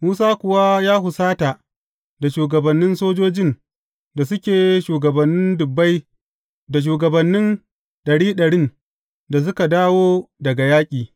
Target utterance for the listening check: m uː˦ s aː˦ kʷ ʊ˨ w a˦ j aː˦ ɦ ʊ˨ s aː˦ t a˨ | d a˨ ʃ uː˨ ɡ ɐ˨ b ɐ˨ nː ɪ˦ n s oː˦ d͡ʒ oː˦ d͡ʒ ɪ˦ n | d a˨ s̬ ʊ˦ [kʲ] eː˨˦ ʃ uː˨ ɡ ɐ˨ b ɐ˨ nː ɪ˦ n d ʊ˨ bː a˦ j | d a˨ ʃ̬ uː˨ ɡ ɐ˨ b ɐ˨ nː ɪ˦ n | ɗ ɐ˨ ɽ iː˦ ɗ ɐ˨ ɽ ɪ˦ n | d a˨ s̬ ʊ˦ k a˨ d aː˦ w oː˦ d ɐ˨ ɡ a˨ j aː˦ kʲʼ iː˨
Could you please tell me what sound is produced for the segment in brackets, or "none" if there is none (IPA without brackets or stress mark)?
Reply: kʲ